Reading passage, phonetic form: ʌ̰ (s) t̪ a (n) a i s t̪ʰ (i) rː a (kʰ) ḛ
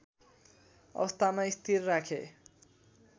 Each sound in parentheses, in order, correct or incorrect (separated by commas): correct, incorrect, correct, correct